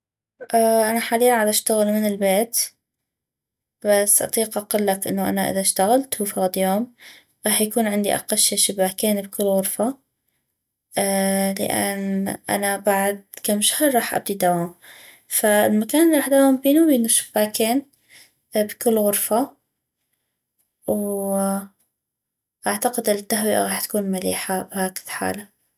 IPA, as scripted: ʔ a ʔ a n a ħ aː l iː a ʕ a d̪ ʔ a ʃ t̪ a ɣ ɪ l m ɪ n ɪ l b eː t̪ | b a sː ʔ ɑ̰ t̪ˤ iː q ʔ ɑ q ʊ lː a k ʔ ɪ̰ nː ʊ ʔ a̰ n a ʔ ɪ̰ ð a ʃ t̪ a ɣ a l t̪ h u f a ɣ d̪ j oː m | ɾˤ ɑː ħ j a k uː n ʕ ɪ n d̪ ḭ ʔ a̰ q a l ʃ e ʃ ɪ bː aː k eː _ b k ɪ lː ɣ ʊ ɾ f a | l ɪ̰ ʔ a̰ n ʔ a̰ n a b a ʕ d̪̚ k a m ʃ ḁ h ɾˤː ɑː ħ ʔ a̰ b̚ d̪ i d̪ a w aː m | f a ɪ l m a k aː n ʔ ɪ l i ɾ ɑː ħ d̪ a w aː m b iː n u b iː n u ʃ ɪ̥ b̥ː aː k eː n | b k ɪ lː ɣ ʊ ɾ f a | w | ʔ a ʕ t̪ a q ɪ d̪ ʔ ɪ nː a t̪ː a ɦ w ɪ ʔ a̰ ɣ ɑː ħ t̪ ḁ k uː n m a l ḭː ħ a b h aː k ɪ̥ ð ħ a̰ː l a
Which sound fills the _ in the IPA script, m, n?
n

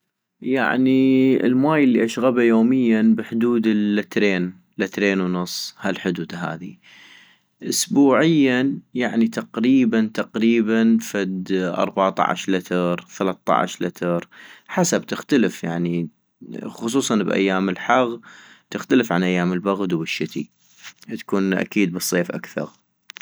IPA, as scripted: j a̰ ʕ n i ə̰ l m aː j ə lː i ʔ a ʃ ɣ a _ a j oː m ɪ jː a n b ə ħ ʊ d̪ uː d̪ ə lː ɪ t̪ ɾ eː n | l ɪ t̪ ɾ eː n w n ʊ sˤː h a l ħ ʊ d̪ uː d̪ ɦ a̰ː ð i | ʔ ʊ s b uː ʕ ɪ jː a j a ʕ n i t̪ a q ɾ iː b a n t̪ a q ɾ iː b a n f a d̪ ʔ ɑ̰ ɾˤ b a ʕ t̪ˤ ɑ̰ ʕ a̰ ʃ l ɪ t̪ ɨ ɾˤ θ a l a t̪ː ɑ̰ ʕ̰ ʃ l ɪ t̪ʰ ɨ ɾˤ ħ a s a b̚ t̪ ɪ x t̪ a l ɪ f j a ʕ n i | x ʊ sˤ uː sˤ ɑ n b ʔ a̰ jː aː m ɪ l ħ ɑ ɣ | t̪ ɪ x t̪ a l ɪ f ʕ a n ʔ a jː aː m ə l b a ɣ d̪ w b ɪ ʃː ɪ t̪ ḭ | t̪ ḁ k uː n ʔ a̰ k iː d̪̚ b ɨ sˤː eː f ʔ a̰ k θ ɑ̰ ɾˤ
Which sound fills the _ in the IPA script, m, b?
b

